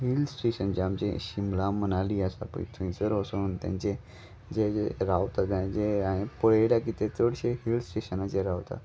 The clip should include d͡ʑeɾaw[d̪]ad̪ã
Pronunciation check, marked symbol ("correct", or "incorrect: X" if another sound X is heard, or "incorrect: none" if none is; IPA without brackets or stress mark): incorrect: t̪